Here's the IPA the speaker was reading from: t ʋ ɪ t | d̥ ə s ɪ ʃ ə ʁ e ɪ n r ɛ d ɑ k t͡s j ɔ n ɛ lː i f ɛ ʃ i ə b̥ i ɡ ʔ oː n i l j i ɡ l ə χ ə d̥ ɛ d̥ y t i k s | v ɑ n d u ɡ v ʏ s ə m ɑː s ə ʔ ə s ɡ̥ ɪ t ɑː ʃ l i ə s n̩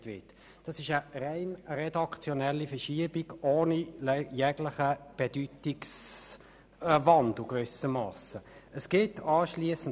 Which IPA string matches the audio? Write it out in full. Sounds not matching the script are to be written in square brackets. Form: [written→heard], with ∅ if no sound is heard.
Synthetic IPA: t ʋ ɪ t | d̥ [ə→ɑ] s ɪ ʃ ə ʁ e ɪ n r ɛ d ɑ k t͡s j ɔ n ɛ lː i f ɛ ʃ i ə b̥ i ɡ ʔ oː n i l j [i→ɛ] ɡ l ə χ ə [d̥→b̥] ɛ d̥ y t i k s | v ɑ n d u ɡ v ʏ s ə m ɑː s ə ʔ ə s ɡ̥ ɪ t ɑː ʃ l i ə s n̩